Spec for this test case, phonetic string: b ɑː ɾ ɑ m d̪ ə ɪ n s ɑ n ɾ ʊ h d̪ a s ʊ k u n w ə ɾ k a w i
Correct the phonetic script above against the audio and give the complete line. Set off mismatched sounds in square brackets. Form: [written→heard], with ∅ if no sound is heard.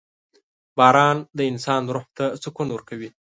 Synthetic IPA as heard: b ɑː ɾ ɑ [m→n] d̪ ə ɪ n s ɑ n ɾ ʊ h [d̪→t̪] a s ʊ k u n w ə ɾ k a w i